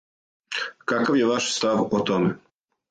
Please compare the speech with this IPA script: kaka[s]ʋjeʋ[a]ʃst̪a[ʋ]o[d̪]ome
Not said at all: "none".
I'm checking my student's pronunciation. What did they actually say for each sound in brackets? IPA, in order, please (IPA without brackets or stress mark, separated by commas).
none, a, ʋ, t̪